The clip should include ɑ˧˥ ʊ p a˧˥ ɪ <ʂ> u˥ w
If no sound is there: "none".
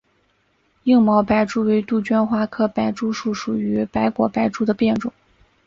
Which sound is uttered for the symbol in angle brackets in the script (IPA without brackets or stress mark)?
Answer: ʈ͡ʂ